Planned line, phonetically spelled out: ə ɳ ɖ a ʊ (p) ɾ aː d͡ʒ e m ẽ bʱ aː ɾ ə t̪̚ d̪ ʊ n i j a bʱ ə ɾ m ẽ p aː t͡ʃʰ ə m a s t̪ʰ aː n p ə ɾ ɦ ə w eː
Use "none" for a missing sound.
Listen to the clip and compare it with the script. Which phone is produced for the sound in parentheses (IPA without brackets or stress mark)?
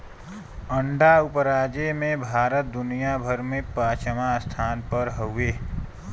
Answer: p